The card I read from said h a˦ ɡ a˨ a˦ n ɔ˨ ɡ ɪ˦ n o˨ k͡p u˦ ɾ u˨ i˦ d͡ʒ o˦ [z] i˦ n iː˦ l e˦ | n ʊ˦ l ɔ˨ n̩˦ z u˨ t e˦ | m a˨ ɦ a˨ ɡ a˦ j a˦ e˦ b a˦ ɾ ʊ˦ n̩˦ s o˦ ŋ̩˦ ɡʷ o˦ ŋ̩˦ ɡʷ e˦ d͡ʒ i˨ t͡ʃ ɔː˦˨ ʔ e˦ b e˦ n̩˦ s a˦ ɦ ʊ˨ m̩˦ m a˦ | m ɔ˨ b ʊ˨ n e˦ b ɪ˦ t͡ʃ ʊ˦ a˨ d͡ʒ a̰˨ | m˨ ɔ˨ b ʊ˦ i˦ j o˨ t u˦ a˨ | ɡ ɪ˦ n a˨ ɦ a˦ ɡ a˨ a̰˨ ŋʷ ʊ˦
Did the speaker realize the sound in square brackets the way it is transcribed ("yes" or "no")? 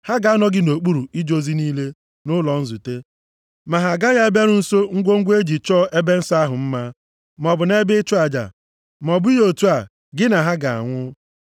yes